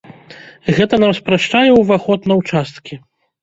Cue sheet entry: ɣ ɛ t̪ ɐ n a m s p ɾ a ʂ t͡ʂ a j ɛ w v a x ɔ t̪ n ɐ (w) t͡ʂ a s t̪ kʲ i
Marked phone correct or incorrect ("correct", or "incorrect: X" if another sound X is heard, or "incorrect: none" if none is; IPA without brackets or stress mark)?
correct